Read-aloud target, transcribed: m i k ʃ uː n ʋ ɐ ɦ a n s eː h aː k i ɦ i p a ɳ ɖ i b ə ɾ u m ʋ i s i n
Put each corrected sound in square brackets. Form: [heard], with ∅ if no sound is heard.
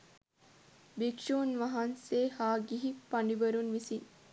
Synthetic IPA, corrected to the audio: [b] i k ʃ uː n ʋ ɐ ɦ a n s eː h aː [ɡ] i ɦ i p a ɳ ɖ i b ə ɾ u [n] ʋ i s i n